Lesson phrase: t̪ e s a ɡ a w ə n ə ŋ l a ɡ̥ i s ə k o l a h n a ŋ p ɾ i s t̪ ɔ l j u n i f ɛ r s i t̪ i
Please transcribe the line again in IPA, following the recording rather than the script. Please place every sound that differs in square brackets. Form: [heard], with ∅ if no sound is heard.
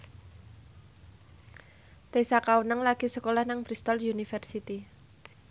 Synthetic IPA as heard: t̪ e s a [k] a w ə n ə ŋ l a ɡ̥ i s ə k o l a h n a ŋ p ɾ i s t̪ ɔ l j u n i f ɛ r s i t̪ i